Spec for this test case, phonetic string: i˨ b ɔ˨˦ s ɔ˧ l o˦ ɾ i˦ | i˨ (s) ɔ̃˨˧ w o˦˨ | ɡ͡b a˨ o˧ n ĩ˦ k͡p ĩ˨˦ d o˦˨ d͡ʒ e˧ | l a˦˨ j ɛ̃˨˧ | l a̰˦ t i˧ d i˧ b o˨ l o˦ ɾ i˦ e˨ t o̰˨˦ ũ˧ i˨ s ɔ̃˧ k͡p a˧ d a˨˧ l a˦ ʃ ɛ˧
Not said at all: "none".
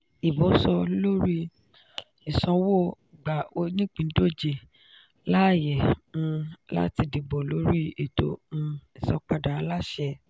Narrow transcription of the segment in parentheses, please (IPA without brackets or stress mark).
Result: s